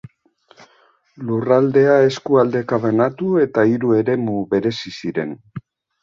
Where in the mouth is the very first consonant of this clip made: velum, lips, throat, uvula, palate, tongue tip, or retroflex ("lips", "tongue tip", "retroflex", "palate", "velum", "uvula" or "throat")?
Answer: tongue tip